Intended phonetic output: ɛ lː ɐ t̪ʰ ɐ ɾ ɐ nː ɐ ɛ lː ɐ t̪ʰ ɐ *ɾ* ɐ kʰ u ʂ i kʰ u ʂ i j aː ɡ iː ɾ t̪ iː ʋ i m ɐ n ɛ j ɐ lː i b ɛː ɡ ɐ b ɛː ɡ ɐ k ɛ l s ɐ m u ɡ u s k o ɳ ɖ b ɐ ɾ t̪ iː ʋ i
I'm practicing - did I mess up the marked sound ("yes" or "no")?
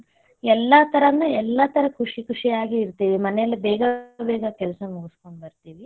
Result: no